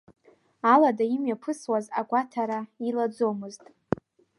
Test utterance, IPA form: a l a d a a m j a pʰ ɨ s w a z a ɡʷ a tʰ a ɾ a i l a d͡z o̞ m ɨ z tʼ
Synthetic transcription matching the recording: a l a d a i m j a pʰ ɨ s w a z a ɡʷ a tʰ a ɾ a i l a d͡z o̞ m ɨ z tʼ